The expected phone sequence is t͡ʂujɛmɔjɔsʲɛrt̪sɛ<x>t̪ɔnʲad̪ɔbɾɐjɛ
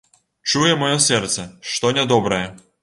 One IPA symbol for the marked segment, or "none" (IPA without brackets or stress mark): ʂ